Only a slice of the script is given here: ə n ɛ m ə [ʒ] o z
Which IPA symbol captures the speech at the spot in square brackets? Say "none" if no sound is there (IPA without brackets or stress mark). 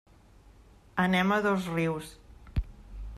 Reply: ð